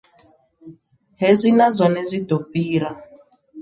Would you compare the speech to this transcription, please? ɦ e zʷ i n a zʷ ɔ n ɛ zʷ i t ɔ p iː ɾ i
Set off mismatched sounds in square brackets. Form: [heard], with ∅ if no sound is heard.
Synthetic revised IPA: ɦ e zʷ i n a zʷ ɔ n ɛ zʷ i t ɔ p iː ɾ [a]